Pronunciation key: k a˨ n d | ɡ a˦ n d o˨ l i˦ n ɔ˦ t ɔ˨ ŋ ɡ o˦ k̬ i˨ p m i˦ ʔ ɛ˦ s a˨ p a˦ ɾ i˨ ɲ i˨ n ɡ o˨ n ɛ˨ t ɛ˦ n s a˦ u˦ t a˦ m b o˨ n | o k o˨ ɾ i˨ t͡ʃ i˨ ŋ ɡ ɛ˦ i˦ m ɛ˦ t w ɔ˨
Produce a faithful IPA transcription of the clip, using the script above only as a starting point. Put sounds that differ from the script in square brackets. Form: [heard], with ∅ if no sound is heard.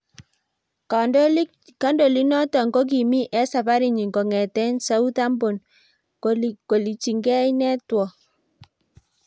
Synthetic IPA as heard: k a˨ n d | [k] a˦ n d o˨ l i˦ n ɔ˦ t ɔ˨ ŋ ɡ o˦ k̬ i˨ [∅] m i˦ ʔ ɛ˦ s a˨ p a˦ ɾ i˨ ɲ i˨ [ŋ] ɡ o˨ [ŋ] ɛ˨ t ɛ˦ n s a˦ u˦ t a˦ m b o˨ n | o k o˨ [l] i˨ t͡ʃ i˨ ŋ ɡ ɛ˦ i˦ [n] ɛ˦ t w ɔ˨